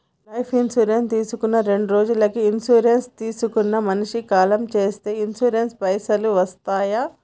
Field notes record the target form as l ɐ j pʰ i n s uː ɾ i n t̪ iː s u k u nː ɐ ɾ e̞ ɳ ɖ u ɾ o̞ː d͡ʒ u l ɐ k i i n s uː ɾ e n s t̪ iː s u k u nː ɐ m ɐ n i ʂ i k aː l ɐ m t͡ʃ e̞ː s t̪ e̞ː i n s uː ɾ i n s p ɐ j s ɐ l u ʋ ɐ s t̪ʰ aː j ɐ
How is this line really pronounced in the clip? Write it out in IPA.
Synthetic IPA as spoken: l ɐ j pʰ i n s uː ɾ e n t̪ iː s u k u nː ɐ ɾ e̞ ɳ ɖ u ɾ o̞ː d͡ʒ u l ɐ k i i n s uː ɾ e n s t̪ iː s u k u nː ɐ m ɐ n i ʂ i k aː l ɐ m t͡ʃ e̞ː s t̪ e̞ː i n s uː ɾ e n s p ɐ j s ɐ l u ʋ ɐ s t̪ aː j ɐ